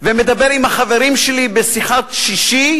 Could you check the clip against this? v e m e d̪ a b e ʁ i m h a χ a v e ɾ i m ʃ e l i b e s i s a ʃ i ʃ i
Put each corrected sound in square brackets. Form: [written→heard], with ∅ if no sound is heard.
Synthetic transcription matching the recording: v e m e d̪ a b e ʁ i m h a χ a v e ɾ i m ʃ e l i b e s i [s→χ] a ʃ i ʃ i